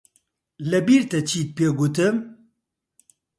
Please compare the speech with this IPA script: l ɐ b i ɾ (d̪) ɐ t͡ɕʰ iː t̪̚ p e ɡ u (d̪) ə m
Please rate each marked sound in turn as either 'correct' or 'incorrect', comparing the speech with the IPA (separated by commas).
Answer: incorrect, incorrect